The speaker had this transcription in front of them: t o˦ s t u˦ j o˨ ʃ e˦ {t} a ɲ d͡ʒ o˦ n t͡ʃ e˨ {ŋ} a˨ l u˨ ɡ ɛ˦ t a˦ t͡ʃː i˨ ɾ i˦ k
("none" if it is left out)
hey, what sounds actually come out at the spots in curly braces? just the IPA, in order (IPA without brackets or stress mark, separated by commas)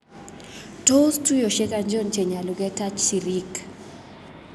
k, ɲ